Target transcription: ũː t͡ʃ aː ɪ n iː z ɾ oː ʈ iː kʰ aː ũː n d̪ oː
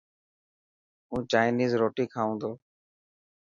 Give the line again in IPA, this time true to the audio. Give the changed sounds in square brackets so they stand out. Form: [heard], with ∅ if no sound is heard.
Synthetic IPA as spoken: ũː t͡ʃ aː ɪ n iː z ɾ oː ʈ iː kʰ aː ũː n d̪ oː